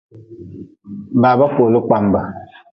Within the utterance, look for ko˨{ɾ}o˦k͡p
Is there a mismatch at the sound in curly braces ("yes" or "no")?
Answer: yes